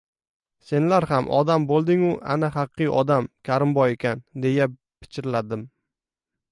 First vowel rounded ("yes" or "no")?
no